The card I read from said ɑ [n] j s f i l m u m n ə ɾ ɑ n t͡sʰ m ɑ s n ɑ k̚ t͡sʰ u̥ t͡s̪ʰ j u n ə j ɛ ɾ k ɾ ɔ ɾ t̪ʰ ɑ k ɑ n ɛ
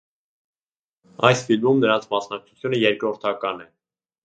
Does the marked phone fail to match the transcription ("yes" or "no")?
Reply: yes